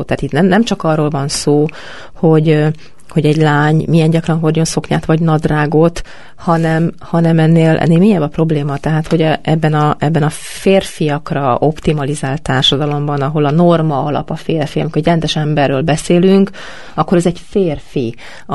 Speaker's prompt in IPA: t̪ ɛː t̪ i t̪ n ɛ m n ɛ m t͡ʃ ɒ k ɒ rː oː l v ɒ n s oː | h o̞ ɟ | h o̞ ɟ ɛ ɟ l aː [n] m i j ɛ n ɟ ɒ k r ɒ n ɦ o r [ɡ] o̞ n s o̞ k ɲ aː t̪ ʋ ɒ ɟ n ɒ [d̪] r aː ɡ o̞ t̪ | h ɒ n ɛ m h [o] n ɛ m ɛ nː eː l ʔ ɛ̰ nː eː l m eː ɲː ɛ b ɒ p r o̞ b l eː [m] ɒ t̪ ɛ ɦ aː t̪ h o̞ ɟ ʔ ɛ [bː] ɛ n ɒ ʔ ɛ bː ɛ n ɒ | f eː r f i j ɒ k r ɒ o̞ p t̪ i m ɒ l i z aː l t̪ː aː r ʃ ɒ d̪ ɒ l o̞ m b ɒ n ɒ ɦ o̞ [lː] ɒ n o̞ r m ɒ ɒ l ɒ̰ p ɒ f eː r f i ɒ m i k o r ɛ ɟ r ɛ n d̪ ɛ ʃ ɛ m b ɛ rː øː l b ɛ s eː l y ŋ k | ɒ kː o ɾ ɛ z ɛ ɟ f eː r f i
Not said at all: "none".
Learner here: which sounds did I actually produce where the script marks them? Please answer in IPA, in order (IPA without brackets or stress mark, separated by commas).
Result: ɲ, ɟ, d̪, ɒ, m, bː, l